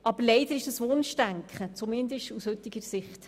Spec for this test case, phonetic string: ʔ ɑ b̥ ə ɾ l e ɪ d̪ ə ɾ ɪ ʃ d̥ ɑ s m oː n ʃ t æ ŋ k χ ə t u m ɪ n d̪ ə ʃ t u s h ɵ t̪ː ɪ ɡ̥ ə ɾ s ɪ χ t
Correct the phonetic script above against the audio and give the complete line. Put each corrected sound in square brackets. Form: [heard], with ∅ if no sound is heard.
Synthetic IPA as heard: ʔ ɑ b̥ ə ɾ l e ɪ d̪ ə ɾ ɪ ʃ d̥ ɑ s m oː n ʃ t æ ŋ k χ ə [t͡s] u m ɪ n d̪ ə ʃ t u s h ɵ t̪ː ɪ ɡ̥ ə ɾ s ɪ χ t